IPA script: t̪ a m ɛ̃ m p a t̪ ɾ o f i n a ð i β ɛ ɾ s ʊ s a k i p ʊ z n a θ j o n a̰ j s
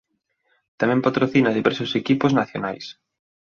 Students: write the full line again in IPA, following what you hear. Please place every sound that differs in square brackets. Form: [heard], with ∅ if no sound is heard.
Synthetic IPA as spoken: t̪ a m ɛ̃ m p a t̪ ɾ o [θ] i n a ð i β ɛ ɾ s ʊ s [e] k i p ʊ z n a θ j o n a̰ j s